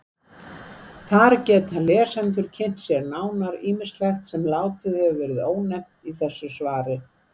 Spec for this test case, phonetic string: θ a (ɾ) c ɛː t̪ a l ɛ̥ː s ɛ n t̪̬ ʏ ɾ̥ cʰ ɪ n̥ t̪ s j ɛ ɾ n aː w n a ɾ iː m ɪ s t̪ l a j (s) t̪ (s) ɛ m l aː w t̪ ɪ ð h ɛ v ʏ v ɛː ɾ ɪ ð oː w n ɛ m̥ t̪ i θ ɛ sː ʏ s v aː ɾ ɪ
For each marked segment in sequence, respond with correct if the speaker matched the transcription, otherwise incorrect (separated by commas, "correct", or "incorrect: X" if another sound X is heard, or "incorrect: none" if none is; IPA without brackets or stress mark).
correct, incorrect: x, correct